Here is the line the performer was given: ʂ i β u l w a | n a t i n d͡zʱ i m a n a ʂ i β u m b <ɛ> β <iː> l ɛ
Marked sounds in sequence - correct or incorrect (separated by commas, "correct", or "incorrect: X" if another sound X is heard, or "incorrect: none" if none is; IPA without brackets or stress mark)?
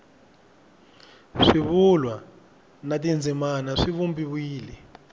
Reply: incorrect: i, correct